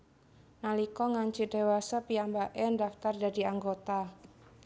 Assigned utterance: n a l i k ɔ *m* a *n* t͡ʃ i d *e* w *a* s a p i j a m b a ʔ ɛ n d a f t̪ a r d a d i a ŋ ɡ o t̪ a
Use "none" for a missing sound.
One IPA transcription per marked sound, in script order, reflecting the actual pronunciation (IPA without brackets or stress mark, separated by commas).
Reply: ŋ, ɲ, e, a